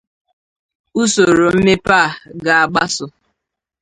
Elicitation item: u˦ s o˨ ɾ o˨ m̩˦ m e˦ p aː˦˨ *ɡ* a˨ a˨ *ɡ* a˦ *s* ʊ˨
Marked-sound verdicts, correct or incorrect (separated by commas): correct, incorrect, correct